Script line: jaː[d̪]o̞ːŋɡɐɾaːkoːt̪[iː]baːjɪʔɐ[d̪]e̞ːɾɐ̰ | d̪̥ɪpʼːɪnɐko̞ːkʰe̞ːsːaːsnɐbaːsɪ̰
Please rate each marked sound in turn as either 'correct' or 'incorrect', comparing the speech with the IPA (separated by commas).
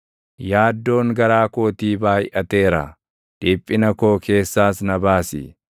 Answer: incorrect, correct, incorrect